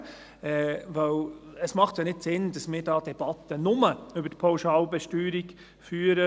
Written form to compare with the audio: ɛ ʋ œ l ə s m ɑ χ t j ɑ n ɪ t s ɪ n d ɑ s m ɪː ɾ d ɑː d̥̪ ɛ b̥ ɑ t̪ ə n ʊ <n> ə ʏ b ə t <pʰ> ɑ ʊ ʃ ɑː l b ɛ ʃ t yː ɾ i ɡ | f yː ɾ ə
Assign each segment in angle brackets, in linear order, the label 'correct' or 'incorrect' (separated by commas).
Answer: incorrect, correct